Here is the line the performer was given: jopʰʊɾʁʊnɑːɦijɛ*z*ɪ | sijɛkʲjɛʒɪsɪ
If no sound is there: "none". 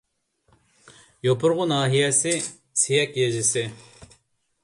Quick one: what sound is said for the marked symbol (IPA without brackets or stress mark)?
s